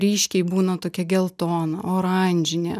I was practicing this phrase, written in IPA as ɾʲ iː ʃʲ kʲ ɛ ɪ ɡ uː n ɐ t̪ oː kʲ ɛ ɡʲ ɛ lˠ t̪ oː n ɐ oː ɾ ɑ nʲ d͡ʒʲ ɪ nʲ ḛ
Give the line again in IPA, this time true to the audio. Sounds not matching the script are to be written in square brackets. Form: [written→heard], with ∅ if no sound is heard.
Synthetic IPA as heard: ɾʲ iː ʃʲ kʲ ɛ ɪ [ɡ→b] uː n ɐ t̪ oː kʲ ɛ ɡʲ ɛ lˠ t̪ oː n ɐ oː ɾ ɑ nʲ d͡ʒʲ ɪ nʲ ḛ